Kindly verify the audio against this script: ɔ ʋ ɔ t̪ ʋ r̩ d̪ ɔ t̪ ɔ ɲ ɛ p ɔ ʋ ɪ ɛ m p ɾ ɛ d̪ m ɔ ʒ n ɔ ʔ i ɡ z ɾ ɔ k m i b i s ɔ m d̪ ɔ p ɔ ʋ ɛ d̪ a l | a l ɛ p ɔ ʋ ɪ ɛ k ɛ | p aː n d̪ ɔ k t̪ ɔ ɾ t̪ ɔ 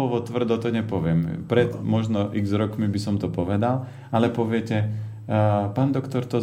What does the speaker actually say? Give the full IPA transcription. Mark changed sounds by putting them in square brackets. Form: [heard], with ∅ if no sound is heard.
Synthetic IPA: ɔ ʋ ɔ t̪ ʋ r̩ d̪ ɔ t̪ ɔ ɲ ɛ p ɔ ʋ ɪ ɛ m p ɾ ɛ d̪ m ɔ ʒ n ɔ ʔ i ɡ z ɾ ɔ k m i b i s ɔ m [t̪] ɔ p ɔ ʋ ɛ d̪ a l | a l ɛ p ɔ ʋ ɪ ɛ [c] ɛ | p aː n d̪ ɔ k t̪ ɔ ɾ t̪ ɔ